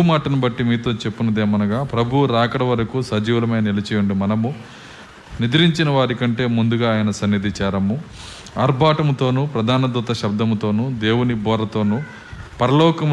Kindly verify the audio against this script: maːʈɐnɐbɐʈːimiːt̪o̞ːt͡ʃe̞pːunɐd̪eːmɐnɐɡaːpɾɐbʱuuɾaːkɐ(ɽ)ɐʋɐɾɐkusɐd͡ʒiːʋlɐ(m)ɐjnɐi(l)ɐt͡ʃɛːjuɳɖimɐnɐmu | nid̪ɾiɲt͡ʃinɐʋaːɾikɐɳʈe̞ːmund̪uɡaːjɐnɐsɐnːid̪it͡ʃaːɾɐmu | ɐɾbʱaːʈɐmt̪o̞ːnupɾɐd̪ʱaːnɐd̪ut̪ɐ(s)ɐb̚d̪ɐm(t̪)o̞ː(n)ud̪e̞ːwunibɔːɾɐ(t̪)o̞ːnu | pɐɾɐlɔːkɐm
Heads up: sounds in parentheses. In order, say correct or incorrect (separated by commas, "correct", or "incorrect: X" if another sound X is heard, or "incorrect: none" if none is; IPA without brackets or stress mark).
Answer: correct, correct, correct, incorrect: ʃ, correct, correct, correct